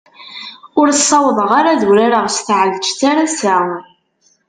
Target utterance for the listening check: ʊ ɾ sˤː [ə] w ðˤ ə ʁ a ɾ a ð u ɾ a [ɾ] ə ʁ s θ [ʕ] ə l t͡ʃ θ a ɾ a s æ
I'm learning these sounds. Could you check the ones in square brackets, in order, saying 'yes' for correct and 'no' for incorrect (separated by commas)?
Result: no, yes, yes